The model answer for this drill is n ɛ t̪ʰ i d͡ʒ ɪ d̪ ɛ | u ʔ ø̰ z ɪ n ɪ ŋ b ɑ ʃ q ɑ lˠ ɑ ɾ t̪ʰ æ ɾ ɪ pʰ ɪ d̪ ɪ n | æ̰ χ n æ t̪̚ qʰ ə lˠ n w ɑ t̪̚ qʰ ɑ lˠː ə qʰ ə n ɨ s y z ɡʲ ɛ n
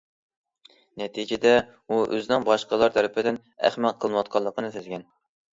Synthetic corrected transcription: n ɛ t̪ʰ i d͡ʒ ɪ d̪ ɛ | u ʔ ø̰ z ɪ n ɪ ŋ b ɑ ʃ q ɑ lˠ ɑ ɾ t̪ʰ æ ɾ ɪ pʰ ɪ d̪ ɪ n | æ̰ χ m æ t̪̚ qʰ ə lˠ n w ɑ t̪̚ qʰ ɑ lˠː ə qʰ ə n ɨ s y z ɡʲ ɛ n